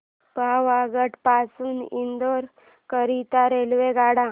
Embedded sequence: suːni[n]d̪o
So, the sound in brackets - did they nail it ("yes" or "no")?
yes